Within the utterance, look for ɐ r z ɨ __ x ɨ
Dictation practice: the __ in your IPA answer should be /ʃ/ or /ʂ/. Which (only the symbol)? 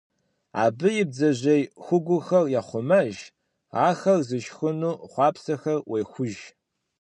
ʃ